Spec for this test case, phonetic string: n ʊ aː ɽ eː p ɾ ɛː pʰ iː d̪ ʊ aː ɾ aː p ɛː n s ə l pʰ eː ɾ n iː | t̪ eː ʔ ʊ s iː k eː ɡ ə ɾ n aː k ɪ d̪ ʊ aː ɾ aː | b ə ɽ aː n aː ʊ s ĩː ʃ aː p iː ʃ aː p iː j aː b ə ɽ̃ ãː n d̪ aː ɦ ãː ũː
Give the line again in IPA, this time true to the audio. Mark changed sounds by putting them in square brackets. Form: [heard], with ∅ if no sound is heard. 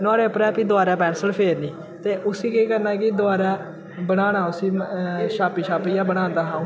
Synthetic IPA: n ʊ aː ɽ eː p ɾ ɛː [p] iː d̪ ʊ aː ɾ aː p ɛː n s ə l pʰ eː ɾ n iː | t̪ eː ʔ ʊ s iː k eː [k] ə ɾ n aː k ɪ d̪ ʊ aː ɾ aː | b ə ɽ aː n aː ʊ s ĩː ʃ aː p iː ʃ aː p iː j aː b ə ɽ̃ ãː n d̪ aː ɦ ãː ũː